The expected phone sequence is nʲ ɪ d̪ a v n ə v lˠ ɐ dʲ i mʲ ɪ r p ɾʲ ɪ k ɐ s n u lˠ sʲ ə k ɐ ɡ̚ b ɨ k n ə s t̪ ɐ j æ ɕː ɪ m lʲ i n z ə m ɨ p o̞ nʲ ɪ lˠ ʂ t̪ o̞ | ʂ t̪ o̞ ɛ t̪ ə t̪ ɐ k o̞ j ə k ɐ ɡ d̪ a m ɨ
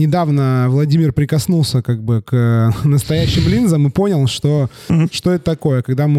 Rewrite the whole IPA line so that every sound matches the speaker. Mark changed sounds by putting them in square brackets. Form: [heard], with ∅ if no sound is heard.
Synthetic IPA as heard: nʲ ɪ d̪ a v n ə v lˠ ɐ dʲ i mʲ ɪ r p ɾʲ ɪ k ɐ s n u lˠ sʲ ə k [a] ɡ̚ b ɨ k n ə s t̪ ɐ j æ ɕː ɪ m lʲ i n z ə m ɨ p o̞ nʲ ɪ lˠ ʂ t̪ o̞ | ʂ t̪ o̞ ɛ t̪ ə t̪ ɐ k o̞ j ə k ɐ ɡ d̪ a m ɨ